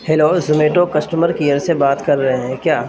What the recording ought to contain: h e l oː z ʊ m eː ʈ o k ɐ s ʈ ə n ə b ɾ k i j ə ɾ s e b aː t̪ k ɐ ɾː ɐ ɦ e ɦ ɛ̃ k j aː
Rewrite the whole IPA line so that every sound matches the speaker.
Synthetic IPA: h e l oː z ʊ m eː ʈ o k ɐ s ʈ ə m ə ɾ k i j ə ɾ s e b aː t̪ k ɐ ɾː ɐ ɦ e ɦ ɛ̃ k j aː